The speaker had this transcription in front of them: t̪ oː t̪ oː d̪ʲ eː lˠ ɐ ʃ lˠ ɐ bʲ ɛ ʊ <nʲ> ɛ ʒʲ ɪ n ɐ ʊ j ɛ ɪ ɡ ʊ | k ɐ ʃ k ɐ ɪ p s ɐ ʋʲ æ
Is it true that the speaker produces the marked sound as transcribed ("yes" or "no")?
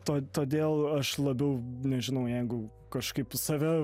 yes